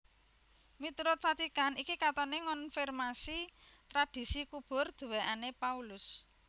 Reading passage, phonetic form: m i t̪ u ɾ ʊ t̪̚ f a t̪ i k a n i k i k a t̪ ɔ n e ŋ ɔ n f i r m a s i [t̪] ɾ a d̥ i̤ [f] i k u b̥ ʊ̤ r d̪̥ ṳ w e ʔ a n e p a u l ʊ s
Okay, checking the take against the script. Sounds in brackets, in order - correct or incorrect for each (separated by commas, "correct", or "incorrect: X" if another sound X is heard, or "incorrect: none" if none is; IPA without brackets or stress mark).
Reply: correct, incorrect: s